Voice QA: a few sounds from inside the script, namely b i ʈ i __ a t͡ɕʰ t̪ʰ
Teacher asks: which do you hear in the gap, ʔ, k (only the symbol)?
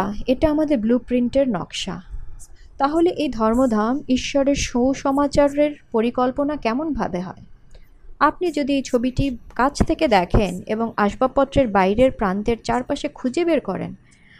k